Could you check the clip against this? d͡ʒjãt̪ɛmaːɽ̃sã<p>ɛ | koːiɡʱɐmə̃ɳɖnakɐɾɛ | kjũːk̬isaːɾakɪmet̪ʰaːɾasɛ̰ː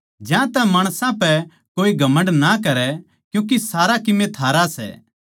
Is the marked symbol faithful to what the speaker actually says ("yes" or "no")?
yes